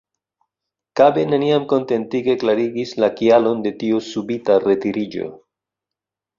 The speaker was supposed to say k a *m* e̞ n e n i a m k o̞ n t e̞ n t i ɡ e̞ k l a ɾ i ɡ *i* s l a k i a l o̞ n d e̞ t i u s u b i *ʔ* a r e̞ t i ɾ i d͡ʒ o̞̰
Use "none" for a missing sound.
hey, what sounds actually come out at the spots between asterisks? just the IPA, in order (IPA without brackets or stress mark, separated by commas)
b, i, t